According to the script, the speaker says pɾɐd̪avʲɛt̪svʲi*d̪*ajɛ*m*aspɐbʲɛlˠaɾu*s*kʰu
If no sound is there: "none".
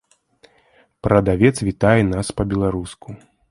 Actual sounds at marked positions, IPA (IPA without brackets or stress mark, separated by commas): t̪, n, s